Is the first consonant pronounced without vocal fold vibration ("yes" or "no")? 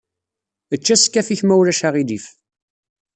yes